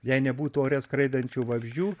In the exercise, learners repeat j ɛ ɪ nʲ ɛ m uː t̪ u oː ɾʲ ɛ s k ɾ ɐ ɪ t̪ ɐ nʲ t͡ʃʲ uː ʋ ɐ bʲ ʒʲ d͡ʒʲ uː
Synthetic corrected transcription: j ɛ ɪ nʲ ɛ b uː t̪ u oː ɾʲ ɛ s k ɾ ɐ ɪ d̪ ɐ nʲ t͡ʃʲ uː ʋ ɐ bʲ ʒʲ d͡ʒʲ uː